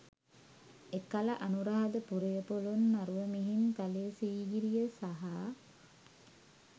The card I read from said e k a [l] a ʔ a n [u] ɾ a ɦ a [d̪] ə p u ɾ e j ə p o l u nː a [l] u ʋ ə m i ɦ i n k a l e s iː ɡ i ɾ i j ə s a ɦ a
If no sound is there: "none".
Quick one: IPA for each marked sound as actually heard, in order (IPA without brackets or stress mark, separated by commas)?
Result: l, u, d̪, ɾ